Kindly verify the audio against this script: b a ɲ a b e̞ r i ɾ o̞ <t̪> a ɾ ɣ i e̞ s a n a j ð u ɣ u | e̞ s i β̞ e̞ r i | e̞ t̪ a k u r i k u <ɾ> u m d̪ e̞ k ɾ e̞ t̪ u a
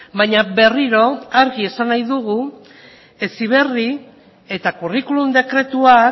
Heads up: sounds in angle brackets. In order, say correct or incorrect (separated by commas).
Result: incorrect, incorrect